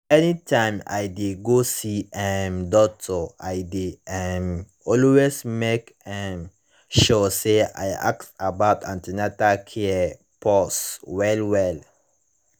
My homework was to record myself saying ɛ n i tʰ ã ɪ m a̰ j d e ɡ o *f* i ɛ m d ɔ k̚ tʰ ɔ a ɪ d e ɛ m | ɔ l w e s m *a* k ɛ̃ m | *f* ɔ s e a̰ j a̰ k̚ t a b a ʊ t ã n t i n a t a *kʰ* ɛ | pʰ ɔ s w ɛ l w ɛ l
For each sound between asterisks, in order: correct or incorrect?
incorrect, incorrect, incorrect, correct

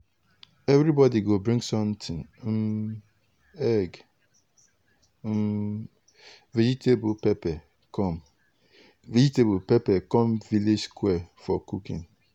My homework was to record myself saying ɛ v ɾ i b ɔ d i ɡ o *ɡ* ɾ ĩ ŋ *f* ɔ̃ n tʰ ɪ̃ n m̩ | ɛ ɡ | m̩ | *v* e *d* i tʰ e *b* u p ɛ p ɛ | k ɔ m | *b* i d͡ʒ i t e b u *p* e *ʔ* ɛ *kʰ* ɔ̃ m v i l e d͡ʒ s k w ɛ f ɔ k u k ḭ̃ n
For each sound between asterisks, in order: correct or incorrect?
incorrect, incorrect, correct, incorrect, correct, incorrect, correct, incorrect, incorrect

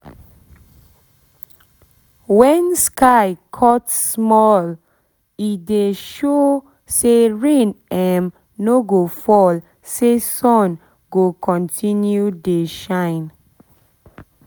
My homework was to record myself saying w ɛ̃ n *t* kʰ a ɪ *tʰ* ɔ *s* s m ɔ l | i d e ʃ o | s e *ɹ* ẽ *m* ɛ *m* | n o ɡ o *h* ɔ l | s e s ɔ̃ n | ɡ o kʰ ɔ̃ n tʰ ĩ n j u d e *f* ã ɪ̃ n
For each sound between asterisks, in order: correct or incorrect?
incorrect, incorrect, incorrect, correct, incorrect, correct, incorrect, incorrect

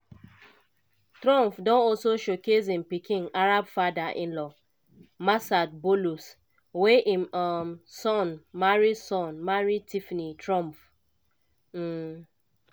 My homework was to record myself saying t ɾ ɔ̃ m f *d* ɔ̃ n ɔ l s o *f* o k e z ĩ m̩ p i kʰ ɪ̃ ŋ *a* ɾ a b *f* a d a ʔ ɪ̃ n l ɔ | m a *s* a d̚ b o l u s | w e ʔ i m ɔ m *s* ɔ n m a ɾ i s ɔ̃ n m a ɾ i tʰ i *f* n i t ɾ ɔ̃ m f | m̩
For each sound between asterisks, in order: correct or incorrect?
correct, incorrect, correct, correct, correct, correct, correct

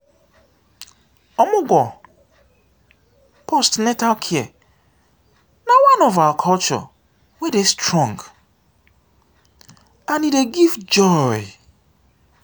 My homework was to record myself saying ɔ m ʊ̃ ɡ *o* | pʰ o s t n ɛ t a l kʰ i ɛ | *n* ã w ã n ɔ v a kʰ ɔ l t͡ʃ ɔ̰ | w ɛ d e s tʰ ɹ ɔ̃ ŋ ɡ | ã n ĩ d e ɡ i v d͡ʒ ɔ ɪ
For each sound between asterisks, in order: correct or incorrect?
incorrect, correct

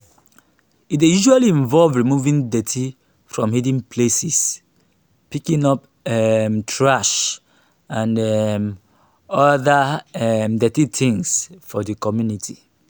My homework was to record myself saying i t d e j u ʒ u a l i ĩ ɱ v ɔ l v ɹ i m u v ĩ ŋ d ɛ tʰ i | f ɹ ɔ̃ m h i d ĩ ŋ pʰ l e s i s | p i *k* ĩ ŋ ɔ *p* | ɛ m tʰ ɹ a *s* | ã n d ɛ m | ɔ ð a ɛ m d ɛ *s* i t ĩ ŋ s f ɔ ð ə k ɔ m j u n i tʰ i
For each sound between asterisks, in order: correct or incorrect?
correct, correct, incorrect, incorrect

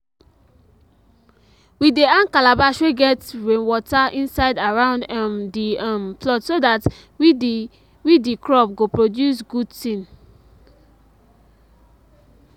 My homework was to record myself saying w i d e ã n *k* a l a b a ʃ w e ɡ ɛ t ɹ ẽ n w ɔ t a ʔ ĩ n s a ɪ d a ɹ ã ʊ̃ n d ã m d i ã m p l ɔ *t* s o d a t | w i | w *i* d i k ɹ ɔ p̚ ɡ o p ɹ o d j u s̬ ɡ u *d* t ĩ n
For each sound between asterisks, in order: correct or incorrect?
correct, correct, correct, correct

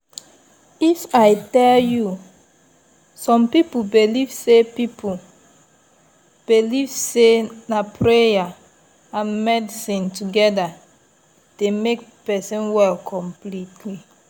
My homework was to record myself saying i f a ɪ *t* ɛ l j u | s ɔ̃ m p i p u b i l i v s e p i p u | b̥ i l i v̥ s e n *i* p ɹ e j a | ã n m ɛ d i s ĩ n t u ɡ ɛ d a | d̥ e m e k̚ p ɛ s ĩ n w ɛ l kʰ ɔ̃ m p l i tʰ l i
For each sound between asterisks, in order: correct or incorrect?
correct, incorrect

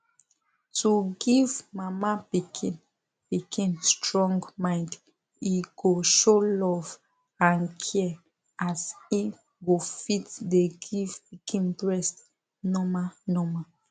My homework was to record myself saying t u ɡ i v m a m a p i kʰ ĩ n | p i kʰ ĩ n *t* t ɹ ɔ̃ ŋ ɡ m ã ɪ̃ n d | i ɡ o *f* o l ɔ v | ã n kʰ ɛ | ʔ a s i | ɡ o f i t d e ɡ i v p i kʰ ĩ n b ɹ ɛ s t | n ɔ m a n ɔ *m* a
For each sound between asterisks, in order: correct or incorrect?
incorrect, incorrect, correct

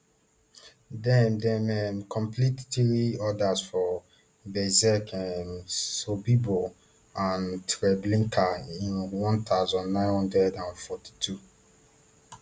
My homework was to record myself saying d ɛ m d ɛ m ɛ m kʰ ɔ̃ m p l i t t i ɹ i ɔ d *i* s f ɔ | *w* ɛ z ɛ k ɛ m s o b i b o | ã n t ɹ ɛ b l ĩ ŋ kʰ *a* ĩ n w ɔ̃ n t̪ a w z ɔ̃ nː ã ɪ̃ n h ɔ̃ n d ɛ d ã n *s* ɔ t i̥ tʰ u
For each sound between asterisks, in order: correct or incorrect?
incorrect, incorrect, correct, incorrect

